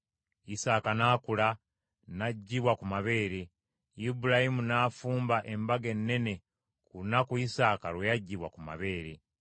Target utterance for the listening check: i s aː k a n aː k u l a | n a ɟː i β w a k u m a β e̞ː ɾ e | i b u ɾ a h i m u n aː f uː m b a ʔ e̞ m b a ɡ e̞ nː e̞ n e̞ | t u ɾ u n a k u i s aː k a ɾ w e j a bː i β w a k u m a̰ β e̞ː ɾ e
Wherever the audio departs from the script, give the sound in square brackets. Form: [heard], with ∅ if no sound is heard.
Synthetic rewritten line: i s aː k a n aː k u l a | n a ɟː i β w a k u m a β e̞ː ɾ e | i b u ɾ a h i m u n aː f uː m b a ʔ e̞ m b a ɡ e̞ nː e̞ n e̞ | [k] u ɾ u n a k u i s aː k a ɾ w e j a [ɟː] i β w a k u m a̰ β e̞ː ɾ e

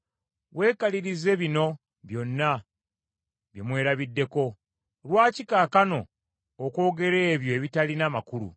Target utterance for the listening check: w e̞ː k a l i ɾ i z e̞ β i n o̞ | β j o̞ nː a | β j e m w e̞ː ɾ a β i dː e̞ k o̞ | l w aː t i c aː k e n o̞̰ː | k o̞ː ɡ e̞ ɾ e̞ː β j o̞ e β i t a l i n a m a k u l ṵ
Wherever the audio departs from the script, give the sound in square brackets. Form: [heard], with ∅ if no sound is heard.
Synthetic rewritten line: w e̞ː k a l i ɾ i z e̞ β i n o̞ | β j o̞ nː a | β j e m w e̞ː ɾ a β i dː e̞ k o̞ | l w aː [c] i [k] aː k [a] n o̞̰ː | k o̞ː ɡ e̞ ɾ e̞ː β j o̞ e β i t a l i n a m a k u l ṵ

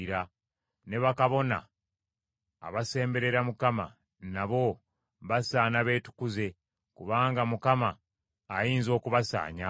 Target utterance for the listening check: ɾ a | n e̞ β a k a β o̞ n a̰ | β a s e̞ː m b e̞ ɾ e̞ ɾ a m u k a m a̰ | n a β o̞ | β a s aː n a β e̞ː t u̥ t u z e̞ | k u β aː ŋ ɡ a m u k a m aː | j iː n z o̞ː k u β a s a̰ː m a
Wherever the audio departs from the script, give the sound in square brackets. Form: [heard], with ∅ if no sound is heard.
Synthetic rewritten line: ɾ a | n e̞ β a k a β o̞ n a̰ | β a s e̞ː m b e̞ ɾ e̞ ɾ a m u k a m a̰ | n a β o̞ | β a s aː n a β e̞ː t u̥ [k] u z e̞ | k u β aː ŋ ɡ a m u k a m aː | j iː n z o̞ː k u β a s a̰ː [ɲ] a

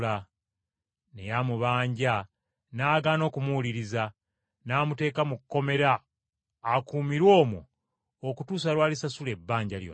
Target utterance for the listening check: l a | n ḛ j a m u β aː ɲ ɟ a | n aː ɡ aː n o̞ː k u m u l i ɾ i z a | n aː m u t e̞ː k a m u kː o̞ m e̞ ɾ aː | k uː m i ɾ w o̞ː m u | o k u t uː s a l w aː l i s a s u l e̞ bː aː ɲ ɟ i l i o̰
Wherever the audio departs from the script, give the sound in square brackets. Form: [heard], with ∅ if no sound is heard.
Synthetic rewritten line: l a | n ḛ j a m u β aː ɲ ɟ a | n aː ɡ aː n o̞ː k u m u l i ɾ i z a | n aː m u t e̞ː k a m u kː o̞ m e̞ ɾ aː | k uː m i ɾ w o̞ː m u | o k u t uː s a l w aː l i s a s u l e̞ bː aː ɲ ɟ [a] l [j] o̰

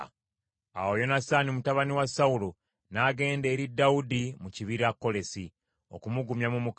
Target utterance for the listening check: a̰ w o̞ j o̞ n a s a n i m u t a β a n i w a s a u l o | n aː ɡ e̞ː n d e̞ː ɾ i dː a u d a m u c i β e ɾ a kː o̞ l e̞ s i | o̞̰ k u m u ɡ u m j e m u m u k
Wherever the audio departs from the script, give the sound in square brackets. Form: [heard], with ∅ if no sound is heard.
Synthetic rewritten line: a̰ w o̞ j o̞ n a s a n i m u t a β a n i w a s a u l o | n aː ɡ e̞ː n d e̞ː ɾ i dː a u d [i] m u c i β [i] ɾ a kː o̞ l e̞ s i | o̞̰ k u m u ɡ u m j [a] m u m u k

